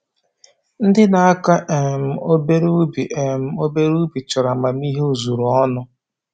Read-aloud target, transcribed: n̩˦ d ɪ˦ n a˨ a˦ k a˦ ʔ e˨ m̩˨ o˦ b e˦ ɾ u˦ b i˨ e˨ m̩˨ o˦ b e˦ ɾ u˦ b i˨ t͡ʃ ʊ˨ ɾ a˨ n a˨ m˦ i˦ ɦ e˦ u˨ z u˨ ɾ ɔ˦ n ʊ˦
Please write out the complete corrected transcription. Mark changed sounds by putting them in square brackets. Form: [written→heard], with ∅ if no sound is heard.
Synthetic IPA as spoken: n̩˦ d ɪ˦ n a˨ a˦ k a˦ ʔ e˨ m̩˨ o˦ b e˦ ɾ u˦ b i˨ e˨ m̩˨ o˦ b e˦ ɾ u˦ b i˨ t͡ʃ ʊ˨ ɾ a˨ [n→m] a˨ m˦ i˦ ɦ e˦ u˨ z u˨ ɾ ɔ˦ n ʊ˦